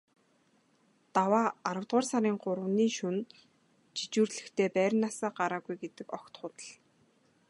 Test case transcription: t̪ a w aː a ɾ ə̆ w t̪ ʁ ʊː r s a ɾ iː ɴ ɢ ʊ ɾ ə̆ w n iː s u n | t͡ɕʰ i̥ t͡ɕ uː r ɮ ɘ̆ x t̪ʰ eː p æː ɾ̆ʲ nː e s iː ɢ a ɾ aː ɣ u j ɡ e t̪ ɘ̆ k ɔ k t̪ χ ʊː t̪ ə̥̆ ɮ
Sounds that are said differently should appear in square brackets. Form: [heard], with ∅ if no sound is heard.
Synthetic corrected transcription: t̪ a w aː a ɾ ə̆ w t̪ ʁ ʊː r s a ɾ iː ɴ ɢ ʊ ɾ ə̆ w n iː [ʃ] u n | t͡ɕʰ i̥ t͡ɕ uː r ɮ ɘ̆ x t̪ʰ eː p æː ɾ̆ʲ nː [a] s [aː] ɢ a ɾ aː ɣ u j ɡ e t̪ ɘ̆ k ɔ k t̪ χ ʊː t̪ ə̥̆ ɮ